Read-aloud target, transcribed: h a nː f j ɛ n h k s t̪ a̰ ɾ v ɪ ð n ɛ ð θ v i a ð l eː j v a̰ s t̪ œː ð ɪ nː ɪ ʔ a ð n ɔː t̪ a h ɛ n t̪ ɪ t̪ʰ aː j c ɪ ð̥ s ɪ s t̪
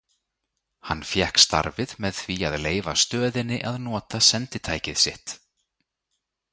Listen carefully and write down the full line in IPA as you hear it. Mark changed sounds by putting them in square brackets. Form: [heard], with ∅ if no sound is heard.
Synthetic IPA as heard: h a nː f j ɛ [∅] h k s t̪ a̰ ɾ v ɪ ð [m] ɛ ð θ v i a ð l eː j v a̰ s t̪ œː ð ɪ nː ɪ ʔ a ð n ɔː t̪ a [s] ɛ n t̪ ɪ t̪ʰ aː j c ɪ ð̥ s ɪ [h] t̪